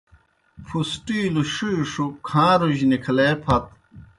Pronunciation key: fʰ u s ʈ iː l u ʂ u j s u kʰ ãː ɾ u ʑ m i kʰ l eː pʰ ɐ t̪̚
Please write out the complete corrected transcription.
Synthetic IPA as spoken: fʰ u s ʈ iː l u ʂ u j ʂ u kʰ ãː ɾ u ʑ n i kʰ l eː pʰ ɐ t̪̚